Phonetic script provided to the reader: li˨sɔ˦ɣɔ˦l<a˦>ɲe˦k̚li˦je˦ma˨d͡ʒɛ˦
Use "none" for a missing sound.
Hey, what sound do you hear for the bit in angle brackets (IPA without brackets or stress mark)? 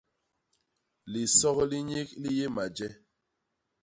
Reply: i˦